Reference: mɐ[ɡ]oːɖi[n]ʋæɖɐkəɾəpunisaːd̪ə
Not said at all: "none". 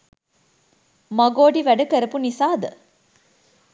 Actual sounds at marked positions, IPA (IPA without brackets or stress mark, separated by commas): ɡ, none